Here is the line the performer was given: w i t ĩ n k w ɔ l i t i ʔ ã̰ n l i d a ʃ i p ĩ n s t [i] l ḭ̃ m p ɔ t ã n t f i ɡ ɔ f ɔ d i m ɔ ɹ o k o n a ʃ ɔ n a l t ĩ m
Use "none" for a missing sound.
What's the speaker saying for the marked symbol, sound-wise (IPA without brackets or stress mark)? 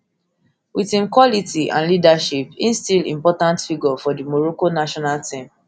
i